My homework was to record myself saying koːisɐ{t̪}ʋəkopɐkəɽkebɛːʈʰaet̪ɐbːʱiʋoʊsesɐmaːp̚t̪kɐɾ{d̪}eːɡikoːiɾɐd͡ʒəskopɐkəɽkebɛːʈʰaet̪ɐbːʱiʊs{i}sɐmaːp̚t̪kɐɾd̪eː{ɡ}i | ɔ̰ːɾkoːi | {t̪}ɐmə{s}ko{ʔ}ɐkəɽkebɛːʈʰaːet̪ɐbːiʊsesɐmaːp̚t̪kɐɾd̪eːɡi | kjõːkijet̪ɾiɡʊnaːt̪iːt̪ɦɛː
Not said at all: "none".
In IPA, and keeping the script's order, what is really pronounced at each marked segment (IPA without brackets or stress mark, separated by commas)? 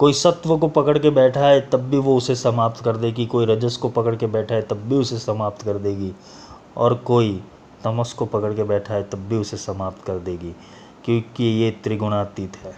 t̪, d̪, e, ɡ, t̪, s, p